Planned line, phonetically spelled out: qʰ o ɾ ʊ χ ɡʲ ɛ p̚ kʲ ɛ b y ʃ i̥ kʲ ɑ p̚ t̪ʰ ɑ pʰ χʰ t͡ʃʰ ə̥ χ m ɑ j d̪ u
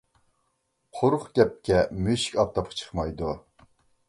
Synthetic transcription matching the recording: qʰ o ɾ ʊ χ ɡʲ ɛ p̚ kʲ ɛ m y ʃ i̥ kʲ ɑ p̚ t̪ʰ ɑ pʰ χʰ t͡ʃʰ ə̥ χ m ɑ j d̪ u